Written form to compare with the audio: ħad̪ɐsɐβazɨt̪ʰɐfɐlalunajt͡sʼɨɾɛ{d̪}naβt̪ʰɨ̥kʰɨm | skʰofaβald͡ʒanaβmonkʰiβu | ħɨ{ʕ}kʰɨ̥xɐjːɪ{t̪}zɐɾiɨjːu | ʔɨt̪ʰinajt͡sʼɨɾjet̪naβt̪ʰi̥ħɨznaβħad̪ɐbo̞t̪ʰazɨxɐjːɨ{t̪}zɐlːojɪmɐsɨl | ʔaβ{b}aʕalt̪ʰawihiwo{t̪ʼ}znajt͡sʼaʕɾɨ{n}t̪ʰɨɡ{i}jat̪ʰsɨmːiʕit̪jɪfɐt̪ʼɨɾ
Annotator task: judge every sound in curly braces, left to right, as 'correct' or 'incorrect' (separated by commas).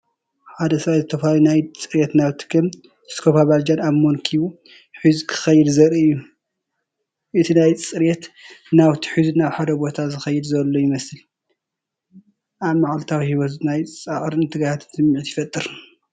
incorrect, incorrect, incorrect, incorrect, incorrect, incorrect, correct, incorrect